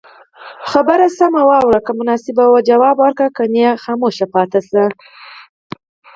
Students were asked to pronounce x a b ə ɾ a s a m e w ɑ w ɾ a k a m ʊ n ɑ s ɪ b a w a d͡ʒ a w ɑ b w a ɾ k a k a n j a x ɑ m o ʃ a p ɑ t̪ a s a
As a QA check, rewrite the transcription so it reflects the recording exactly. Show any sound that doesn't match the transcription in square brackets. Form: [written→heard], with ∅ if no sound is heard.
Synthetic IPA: x a b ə ɾ a s a m [e→a] w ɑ w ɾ a k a m ʊ n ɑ s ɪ b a w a d͡ʒ a w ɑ b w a ɾ k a k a n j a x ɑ m o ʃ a p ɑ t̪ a s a